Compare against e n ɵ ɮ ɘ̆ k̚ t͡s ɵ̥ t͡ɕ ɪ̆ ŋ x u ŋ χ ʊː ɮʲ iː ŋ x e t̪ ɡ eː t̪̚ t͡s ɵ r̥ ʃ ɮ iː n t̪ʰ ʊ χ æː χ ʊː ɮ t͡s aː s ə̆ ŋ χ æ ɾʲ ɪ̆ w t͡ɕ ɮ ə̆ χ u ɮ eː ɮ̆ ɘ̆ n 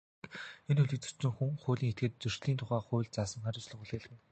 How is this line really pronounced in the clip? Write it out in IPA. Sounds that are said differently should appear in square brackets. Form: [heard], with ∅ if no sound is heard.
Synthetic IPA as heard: e n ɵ ɮ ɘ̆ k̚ t͡s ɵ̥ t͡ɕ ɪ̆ ŋ x u ŋ χ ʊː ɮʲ iː ŋ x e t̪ ɡ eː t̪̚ t͡s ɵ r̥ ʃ ɮ iː n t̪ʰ ʊ χ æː χ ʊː ɮ t͡s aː s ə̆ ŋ χ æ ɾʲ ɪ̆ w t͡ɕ ɮ ə̆ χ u ɮ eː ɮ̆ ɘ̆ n